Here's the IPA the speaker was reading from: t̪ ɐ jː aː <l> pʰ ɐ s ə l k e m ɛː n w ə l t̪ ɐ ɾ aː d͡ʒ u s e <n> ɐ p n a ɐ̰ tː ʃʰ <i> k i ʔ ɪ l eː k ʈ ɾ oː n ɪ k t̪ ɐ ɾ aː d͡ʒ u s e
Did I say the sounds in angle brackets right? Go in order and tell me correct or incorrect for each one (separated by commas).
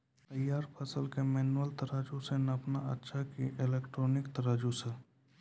incorrect, correct, incorrect